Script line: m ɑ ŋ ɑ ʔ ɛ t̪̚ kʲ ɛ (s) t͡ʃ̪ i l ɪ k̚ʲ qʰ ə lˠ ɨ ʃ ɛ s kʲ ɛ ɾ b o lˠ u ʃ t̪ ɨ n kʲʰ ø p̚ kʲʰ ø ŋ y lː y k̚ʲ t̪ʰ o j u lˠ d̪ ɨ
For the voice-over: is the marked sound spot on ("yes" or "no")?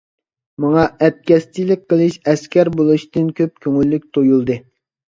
yes